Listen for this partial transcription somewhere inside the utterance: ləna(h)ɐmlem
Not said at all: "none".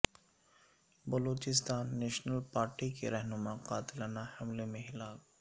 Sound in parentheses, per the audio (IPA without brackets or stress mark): h